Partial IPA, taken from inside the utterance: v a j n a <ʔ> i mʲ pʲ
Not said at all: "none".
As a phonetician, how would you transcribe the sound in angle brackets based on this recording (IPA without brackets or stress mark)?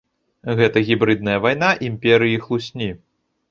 ʔ